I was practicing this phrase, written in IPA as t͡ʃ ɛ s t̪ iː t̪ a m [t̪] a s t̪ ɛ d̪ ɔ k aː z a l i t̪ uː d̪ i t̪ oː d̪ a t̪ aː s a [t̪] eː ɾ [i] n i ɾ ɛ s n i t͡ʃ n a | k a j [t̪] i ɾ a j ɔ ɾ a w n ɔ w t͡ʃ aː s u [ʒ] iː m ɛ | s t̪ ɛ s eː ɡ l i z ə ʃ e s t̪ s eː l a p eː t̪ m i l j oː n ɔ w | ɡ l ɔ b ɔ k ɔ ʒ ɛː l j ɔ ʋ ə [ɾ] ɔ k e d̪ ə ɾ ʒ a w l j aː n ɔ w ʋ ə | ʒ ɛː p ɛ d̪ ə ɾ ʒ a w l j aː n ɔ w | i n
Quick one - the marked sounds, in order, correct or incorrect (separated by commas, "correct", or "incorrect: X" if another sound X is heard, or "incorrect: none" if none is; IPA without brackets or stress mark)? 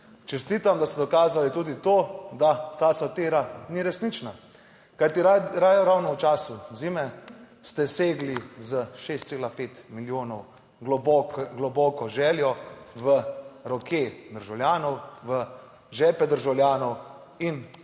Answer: incorrect: d̪, correct, incorrect: a, correct, incorrect: z, correct